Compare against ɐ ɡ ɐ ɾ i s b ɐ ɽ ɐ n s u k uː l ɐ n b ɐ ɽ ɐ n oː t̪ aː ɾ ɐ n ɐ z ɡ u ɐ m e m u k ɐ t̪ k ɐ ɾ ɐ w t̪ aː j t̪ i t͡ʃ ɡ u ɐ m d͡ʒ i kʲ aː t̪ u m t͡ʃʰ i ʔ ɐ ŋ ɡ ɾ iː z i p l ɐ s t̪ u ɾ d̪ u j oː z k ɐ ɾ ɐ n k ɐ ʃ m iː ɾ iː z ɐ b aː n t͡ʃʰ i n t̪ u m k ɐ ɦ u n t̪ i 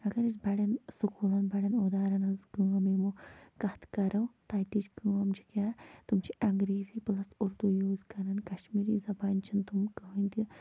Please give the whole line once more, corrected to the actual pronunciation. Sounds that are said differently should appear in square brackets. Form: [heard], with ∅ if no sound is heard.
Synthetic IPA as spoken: ɐ ɡ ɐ ɾ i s b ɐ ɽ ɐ n s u k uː l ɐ n b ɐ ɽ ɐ n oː [d̪] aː ɾ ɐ n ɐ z ɡ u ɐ m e m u k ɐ t̪ k ɐ ɾ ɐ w t̪ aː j t̪ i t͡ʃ ɡ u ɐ m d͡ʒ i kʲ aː t̪ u m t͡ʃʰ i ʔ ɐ ŋ ɡ ɾ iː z i p l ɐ s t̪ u ɾ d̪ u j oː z k ɐ ɾ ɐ n k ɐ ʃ m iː ɾ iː z ɐ b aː n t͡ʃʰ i n t̪ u m k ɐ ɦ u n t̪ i